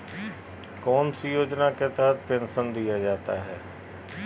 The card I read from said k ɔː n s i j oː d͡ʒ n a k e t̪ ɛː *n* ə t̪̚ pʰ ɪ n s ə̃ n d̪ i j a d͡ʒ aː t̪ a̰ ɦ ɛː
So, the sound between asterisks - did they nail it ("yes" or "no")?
no